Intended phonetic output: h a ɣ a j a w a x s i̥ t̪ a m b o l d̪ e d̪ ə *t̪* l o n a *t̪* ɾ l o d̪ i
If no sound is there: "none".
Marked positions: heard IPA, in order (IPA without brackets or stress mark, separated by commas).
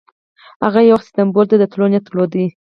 t̪, t̪